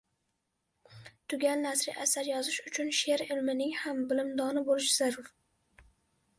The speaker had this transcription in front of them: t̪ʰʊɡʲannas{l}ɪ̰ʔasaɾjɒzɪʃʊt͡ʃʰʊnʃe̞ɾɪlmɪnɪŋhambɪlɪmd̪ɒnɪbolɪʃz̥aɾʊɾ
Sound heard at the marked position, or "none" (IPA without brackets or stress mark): ɾ